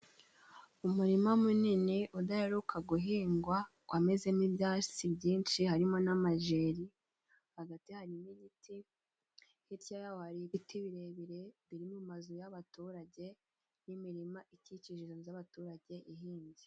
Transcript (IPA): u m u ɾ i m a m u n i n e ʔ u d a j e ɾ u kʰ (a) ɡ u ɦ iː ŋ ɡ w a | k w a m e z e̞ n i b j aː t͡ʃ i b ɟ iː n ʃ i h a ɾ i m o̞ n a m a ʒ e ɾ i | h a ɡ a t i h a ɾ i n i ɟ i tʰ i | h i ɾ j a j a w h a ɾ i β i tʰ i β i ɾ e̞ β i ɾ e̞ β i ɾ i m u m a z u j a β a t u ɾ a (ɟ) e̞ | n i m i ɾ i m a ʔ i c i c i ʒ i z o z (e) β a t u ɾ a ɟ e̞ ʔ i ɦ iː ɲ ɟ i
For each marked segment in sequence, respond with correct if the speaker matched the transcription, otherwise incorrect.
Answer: correct, correct, incorrect: a

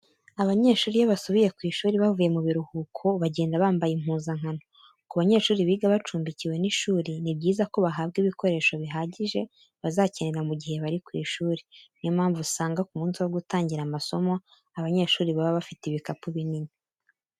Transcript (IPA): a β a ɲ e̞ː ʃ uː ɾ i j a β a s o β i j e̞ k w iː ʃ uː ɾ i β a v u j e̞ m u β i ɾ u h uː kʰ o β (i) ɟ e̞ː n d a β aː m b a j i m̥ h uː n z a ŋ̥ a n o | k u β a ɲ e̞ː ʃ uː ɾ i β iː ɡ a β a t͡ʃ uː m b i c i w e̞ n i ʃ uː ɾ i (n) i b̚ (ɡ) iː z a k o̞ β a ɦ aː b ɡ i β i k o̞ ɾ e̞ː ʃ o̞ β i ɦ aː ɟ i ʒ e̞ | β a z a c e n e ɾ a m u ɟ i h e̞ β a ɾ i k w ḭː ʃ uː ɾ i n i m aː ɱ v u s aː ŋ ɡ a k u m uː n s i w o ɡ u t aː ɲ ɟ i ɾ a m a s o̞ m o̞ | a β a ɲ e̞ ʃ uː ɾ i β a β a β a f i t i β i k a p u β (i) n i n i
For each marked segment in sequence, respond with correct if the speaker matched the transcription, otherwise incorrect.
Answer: incorrect: a, correct, incorrect: ɟ, correct

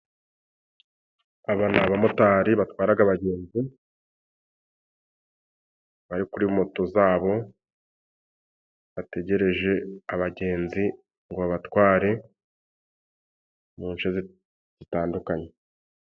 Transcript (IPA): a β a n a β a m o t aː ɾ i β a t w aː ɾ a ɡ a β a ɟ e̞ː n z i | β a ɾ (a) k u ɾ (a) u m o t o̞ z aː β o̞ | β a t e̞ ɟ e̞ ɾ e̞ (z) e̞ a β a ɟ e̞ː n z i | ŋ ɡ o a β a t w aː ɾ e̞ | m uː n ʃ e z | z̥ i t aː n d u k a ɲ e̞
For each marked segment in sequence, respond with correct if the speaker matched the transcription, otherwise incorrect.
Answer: incorrect: i, incorrect: i, incorrect: ʒ

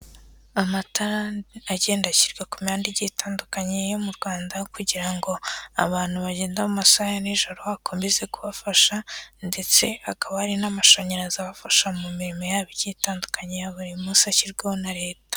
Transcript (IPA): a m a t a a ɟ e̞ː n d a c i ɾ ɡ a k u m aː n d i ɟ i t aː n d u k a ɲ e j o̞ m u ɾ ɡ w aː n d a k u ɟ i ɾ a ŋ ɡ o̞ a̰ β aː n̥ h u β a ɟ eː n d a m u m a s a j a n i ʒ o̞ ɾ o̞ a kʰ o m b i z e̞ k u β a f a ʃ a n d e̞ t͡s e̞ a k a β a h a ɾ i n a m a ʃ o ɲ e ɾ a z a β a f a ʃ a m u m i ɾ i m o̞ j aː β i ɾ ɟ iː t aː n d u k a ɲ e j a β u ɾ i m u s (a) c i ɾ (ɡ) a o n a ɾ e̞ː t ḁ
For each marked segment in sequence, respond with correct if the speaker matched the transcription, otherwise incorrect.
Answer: correct, correct

